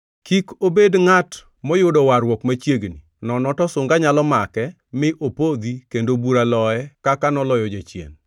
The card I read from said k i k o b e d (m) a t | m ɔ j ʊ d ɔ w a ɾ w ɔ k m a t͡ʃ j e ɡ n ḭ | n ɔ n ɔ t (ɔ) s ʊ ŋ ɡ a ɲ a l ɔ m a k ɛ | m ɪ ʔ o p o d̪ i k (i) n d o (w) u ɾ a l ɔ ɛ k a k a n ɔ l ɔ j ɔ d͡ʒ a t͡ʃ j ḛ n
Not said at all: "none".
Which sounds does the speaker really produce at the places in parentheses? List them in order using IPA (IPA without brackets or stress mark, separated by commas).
ŋ, ɔ, e, b